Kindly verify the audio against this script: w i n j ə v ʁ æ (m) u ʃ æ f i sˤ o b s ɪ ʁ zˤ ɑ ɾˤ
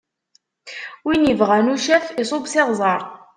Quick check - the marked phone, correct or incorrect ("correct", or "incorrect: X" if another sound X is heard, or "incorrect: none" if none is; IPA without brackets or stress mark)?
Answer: incorrect: n